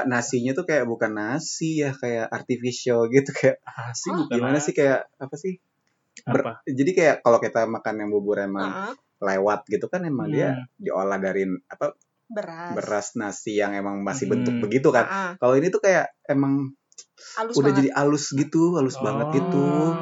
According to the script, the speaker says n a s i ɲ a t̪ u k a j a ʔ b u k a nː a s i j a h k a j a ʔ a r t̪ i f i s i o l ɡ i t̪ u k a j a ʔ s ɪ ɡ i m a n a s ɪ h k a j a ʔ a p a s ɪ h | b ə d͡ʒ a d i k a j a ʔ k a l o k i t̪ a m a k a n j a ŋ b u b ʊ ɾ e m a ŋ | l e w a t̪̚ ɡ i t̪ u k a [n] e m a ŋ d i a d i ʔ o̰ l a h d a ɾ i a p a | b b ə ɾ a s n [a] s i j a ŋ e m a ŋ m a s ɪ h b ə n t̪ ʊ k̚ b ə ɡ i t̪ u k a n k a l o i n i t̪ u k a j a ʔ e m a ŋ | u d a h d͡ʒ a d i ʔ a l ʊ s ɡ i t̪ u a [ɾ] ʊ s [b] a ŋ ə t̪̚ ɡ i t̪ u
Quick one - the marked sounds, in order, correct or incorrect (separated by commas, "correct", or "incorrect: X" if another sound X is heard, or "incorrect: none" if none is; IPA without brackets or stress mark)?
correct, correct, incorrect: l, correct